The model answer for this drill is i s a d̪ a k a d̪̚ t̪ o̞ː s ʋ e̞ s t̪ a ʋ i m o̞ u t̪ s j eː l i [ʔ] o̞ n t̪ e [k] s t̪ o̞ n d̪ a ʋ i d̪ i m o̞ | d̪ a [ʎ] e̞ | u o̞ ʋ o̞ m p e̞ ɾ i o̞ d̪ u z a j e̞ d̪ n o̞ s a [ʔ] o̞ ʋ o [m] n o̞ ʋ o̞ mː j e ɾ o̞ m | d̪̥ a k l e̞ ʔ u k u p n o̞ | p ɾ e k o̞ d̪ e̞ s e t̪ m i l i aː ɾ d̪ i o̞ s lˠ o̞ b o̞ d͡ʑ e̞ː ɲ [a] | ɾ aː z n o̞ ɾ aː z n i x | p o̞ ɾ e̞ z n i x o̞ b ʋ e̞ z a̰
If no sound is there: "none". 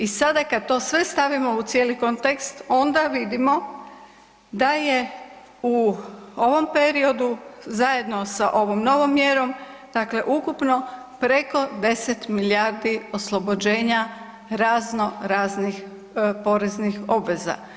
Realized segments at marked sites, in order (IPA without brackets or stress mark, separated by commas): k, k, j, ʔ, m, a